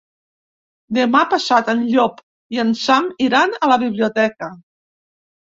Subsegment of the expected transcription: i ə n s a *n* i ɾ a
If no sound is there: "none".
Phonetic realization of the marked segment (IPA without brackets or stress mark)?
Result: m